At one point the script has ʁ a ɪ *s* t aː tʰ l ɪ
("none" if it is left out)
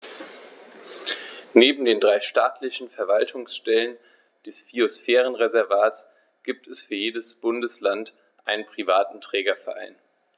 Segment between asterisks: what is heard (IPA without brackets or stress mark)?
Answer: ʃ